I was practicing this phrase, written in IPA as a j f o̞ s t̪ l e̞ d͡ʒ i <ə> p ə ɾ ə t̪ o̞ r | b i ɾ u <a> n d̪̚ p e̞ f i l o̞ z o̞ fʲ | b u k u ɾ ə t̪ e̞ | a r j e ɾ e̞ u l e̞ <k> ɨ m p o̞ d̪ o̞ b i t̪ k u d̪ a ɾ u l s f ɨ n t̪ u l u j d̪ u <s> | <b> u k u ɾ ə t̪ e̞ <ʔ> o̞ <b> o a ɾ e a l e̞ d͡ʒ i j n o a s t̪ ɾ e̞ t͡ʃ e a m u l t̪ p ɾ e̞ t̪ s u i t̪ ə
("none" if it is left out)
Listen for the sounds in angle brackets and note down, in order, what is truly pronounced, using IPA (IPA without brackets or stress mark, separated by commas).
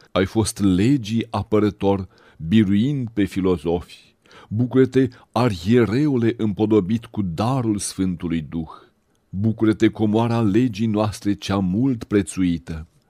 a, i, ʔ, x, b, k, m